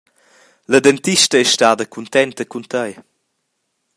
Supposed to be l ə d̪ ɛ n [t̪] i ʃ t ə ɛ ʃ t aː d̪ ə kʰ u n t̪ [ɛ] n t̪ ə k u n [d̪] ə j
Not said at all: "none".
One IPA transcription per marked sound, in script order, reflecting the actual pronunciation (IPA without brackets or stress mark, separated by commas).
t̪, ɛ, t̪